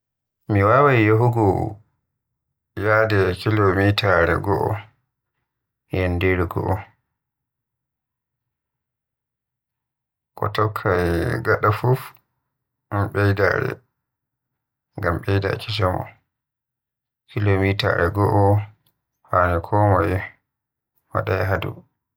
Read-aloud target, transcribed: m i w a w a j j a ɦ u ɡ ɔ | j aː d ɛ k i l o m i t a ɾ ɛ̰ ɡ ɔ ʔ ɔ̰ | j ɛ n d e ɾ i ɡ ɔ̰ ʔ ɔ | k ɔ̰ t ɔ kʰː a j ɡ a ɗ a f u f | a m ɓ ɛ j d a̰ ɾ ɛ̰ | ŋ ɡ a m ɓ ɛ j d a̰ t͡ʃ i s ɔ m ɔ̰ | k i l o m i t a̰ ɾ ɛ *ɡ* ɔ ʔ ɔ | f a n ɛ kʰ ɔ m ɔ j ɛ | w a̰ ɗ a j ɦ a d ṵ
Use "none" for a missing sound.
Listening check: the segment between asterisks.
ɡ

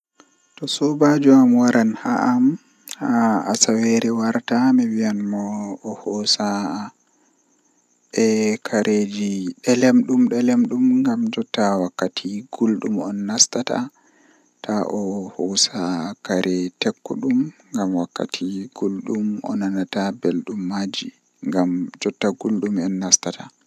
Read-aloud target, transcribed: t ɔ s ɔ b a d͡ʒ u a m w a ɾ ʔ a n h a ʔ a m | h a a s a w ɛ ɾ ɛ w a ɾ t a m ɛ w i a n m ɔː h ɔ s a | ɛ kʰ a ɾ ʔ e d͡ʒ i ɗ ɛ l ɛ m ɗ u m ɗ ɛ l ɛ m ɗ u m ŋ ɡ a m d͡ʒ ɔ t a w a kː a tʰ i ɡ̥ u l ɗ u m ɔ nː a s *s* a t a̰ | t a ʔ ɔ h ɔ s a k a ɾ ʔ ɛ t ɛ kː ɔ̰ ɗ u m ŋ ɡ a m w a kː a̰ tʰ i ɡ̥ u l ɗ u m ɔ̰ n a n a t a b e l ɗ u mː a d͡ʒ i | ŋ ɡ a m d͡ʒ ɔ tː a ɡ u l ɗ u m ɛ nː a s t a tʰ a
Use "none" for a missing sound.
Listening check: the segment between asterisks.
t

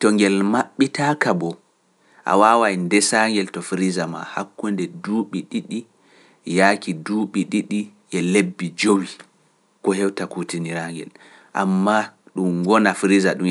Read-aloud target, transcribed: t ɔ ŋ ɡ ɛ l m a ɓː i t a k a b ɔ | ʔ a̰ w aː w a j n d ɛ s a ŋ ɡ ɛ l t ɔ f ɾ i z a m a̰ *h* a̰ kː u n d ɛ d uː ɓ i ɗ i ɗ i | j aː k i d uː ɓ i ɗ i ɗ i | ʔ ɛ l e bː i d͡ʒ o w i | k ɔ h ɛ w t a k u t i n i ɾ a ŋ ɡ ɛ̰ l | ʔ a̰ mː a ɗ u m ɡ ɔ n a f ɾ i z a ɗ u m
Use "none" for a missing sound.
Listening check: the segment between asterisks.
h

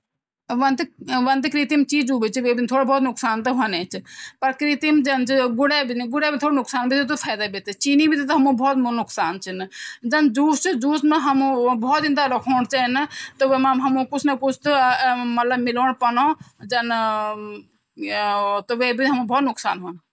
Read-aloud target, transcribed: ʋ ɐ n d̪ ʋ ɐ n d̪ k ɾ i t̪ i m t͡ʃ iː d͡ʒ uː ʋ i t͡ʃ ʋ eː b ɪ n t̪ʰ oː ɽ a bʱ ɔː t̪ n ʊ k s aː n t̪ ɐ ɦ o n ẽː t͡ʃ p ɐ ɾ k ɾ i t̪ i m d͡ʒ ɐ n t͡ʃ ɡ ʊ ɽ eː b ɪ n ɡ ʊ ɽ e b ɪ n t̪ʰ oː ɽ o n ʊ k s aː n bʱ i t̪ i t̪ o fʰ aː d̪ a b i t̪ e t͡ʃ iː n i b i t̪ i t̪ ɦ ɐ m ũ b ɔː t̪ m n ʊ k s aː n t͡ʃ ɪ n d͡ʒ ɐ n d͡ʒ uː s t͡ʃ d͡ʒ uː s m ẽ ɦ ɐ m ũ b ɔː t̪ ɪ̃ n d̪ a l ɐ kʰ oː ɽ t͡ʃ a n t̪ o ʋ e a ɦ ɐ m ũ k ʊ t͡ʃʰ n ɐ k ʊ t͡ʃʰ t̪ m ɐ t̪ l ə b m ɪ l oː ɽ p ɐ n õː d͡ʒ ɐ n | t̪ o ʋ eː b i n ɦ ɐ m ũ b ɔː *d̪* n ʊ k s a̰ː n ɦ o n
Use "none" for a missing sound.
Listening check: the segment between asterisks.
t̪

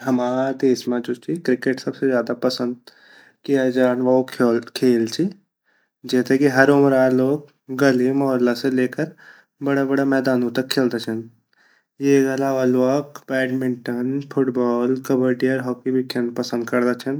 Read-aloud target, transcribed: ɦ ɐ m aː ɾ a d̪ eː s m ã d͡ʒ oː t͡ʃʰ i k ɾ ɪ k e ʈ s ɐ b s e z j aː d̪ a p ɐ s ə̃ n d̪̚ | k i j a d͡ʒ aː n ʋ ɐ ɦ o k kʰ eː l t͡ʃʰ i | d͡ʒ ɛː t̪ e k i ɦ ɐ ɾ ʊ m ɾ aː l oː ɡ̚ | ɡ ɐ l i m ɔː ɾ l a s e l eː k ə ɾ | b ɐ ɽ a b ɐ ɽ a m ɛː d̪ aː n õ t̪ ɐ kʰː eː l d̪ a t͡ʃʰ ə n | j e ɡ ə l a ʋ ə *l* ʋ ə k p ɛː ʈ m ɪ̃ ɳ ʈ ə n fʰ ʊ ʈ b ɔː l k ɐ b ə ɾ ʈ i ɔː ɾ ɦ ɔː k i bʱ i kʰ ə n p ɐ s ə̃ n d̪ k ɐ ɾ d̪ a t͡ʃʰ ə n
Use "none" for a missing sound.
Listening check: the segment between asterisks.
l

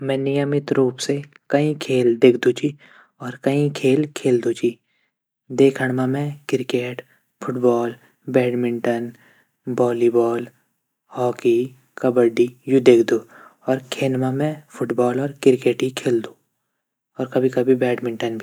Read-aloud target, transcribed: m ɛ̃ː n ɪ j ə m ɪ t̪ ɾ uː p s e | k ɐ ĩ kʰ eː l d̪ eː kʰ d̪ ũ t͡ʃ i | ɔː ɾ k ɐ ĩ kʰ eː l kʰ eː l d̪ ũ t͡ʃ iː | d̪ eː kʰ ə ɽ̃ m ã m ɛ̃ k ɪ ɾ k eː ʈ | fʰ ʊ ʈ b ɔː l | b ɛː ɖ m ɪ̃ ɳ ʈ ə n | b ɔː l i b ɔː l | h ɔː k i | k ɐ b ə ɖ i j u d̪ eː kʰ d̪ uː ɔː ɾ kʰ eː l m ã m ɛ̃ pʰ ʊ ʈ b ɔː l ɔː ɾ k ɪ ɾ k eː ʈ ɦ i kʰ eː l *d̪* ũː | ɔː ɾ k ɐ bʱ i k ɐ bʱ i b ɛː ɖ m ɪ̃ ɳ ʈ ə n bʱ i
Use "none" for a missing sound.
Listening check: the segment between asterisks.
d̪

